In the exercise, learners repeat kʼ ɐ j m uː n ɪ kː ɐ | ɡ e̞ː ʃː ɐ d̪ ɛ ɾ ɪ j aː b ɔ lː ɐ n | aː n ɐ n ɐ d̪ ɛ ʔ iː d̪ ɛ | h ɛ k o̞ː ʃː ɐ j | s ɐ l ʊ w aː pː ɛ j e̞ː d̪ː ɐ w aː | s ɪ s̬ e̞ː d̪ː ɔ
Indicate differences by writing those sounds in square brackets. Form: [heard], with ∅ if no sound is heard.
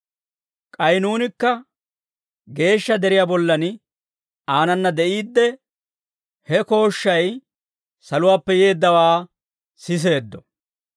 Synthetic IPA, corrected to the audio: kʼ ɐ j [n] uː n ɪ kː ɐ | ɡ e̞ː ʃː ɐ d̪ ɛ ɾ ɪ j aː b ɔ lː ɐ n | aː n ɐ [nː] ɐ d̪ ɛ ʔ iː [d̪ː] ɛ | h ɛ k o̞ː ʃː ɐ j | s ɐ l ʊ w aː pː ɛ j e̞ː d̪ː ɐ w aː | s ɪ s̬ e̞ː d̪ː ɔ